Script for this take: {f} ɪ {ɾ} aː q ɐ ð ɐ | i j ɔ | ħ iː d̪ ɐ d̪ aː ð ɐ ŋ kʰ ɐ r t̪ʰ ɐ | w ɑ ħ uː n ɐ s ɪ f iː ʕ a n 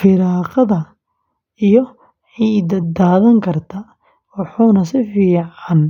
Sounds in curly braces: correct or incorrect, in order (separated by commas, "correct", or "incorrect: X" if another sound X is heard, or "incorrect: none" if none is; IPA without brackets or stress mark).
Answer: correct, correct